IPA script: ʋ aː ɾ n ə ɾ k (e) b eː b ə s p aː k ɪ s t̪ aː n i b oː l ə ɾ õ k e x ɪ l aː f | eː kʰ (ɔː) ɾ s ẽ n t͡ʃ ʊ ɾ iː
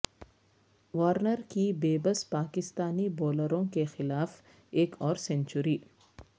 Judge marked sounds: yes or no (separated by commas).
no, yes